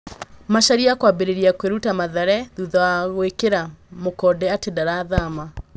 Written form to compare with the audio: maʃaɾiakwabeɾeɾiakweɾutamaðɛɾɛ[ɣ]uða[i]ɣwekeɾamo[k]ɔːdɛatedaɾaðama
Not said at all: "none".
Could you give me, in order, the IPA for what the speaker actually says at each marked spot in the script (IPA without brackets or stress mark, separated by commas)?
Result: ð, a, k